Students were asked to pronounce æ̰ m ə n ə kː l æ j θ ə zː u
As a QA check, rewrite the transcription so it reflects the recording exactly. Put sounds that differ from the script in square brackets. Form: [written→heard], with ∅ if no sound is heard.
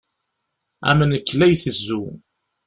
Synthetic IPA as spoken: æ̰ m ə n ə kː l æ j θ ə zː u